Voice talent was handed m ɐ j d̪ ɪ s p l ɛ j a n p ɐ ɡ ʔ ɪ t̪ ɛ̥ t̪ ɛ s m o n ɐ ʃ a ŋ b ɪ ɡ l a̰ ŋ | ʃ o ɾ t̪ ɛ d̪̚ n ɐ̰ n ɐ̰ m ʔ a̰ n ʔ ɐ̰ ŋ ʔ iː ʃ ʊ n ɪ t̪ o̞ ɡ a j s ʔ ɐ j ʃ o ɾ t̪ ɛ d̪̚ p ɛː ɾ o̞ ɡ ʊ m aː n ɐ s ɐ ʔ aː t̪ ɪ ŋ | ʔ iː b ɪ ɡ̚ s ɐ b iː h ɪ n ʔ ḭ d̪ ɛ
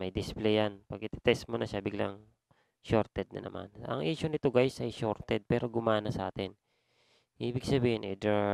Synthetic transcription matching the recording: m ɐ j d̪ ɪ s p l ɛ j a n p ɐ ɡ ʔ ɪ t̪ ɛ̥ t̪ ɛ s m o n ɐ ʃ a b ɪ ɡ l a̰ ŋ | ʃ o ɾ t̪ ɛ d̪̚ n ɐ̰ n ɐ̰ m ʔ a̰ n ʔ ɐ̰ ŋ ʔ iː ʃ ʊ n ɪ t̪ o̞ ɡ a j s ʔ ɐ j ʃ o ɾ t̪ ɛ d̪̚ p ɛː ɾ o̞ ɡ ʊ m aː n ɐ s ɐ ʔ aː t̪ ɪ n | ʔ iː b ɪ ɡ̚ s ɐ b iː h ɪ n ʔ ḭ d̪ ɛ